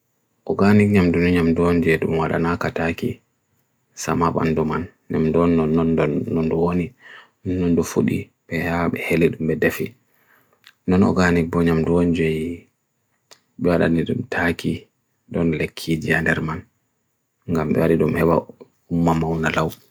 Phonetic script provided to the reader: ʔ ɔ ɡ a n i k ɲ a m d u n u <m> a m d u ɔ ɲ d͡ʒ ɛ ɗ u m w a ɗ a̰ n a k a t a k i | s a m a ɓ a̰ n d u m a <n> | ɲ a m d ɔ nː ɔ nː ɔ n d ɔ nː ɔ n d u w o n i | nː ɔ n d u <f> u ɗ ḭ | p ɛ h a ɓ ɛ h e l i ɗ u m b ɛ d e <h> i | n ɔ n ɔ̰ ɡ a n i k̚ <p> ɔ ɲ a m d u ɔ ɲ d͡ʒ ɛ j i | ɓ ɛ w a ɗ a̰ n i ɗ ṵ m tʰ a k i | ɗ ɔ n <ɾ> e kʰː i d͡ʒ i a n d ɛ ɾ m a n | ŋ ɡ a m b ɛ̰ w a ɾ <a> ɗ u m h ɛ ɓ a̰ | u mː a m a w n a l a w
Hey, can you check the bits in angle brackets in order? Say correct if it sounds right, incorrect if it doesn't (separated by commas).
incorrect, correct, correct, incorrect, incorrect, incorrect, incorrect